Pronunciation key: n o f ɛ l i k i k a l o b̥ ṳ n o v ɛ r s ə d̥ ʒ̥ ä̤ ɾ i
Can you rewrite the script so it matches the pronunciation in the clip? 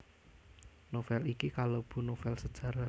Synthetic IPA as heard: n o f ɛ l i k i k a l o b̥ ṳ n o f ɛ l s ə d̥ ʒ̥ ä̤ ɾ a

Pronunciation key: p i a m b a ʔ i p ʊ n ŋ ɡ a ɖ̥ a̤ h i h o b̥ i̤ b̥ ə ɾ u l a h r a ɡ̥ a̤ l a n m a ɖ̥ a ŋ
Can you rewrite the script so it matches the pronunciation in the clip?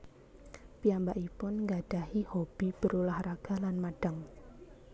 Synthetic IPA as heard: p i a m b a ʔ i p ʊ n ŋ ɡ a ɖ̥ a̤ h i h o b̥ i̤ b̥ ə ɾ u l a h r a ɡ̥ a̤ l a n m a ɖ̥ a ŋ

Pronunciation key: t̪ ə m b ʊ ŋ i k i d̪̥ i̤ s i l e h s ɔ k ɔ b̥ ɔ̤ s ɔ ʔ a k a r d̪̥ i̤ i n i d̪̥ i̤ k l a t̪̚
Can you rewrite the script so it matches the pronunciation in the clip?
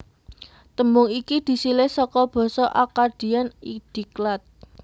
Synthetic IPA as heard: t̪ ə m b ʊ ŋ i k i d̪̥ i̤ s i l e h s ɔ k ɔ b̥ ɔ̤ s ɔ ʔ a k a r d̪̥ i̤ a n i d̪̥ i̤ k l a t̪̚

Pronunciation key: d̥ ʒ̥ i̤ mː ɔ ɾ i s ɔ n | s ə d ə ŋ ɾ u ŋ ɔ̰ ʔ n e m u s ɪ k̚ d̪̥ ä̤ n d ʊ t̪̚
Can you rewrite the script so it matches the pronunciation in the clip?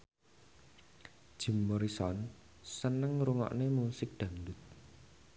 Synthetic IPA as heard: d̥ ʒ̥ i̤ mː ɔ ɾ i s ɔ n | s ə n ə ŋ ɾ u ŋ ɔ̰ ʔ n e m u s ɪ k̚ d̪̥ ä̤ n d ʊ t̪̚

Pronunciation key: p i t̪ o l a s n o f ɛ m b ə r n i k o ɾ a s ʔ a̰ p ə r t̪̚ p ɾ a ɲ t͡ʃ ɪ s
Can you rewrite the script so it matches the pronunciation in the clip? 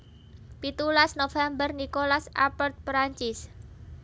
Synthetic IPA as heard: p i t̪ u l a s n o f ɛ m b ə r n i k o l a s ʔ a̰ p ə r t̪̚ p ɾ a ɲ t͡ʃ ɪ s

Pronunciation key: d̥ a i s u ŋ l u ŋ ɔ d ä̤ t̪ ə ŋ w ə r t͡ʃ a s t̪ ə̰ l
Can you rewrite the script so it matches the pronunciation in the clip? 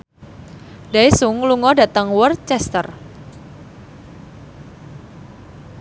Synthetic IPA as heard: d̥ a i s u ŋ l u ŋ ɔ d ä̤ t̪ ə ŋ w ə r t͡ʃ ɛ s t̪ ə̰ r

